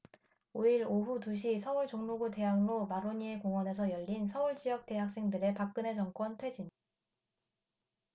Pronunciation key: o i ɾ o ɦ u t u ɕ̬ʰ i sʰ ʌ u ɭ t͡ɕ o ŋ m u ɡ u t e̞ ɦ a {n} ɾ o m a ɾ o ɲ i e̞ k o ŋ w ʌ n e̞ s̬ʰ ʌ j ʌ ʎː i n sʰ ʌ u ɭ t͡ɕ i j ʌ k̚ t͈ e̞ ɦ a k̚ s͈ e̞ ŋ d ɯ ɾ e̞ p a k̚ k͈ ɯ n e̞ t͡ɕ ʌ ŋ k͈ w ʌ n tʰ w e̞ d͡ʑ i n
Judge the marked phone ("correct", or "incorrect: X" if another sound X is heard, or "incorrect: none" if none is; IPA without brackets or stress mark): incorrect: ŋ